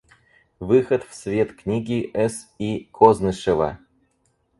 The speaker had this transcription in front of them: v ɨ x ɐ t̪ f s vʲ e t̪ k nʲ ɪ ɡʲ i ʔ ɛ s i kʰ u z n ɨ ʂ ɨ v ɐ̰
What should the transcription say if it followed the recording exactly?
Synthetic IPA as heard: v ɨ x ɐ t̪ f s vʲ e t̪ k nʲ i ɡʲ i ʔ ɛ s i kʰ o z n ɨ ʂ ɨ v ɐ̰